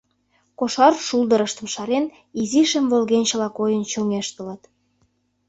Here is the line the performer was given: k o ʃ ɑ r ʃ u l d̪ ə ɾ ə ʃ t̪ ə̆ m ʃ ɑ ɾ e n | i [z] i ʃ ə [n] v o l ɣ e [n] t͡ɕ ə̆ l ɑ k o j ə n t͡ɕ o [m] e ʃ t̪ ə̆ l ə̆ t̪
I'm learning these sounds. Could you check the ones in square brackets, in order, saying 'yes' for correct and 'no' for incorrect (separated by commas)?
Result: yes, no, yes, no